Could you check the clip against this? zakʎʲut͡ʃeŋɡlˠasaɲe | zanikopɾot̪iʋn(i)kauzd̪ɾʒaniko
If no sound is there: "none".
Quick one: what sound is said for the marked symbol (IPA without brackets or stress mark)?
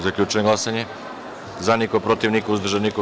i